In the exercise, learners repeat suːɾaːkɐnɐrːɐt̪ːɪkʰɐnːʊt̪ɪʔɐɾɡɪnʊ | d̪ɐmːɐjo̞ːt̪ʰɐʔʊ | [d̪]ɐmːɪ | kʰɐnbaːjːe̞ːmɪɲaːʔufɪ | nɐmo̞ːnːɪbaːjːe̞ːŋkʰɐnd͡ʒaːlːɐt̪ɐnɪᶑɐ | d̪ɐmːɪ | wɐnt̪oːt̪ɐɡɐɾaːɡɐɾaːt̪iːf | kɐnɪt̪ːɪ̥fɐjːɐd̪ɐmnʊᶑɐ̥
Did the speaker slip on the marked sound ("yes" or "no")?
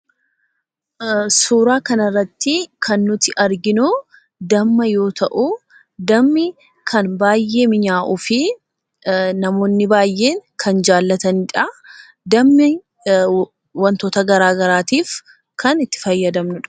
no